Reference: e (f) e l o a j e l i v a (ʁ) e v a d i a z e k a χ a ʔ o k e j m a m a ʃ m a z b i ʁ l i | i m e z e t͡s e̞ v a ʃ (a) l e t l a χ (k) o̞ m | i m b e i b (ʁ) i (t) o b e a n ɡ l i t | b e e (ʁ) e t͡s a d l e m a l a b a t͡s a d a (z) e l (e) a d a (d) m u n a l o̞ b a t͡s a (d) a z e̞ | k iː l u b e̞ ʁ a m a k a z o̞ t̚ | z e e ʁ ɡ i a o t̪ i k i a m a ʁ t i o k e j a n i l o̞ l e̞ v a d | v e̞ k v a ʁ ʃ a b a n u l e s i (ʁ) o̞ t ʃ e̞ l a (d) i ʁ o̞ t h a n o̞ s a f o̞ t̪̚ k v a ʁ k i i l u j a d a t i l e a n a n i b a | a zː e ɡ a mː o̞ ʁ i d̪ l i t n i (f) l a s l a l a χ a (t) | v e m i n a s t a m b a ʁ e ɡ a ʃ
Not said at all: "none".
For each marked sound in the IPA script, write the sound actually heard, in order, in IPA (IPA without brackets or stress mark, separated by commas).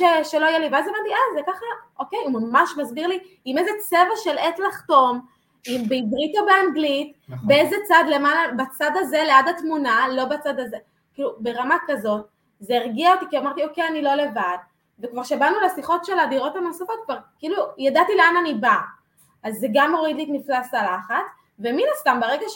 ʃ, z, e, t, ʁ, t, z, z, e, t, d, χ, d, f, t͡s